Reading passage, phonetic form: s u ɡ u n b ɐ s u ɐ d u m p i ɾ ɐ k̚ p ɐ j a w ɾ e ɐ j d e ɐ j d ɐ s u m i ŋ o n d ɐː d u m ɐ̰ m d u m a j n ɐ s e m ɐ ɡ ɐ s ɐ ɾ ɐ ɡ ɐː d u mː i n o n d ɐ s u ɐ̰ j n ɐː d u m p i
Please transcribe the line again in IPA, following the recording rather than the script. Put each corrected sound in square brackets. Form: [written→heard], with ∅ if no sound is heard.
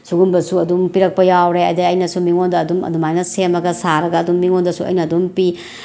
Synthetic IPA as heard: s u ɡ u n b ɐ s u ɐ d u m p i ɾ ɐ k̚ p ɐ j a w ɾ e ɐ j d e ɐ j [d→n] ɐ s u m i ŋ o n d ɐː d u m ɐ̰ [m→∅] d u m a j n ɐ s e m ɐ ɡ ɐ s [ɐ→a] ɾ ɐ ɡ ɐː d u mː i [n→ŋ] o n d ɐ s u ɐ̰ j n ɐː d u m p i